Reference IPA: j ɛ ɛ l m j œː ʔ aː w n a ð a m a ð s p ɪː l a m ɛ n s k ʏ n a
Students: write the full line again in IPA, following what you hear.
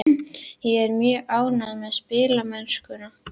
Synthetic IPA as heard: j ɛ ɛ ɾ m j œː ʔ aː w n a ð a m ɛ ð s p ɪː l a m ɛ n s k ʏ n a